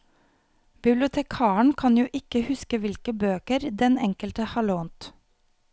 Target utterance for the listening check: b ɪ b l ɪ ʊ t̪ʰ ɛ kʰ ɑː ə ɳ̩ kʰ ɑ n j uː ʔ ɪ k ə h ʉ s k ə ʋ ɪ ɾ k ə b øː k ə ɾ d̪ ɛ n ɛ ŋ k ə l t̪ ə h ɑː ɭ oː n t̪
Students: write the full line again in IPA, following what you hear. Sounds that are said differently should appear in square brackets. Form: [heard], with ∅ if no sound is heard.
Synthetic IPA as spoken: b ɪ b l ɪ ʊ t̪ʰ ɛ kʰ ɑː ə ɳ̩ kʰ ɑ n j uː ʔ ɪ k ə h ʉ s k ə ʋ ɪ [l] k ə b øː k ə ɾ d̪ ɛ n ɛ ŋ k ə l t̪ ə h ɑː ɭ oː n t̪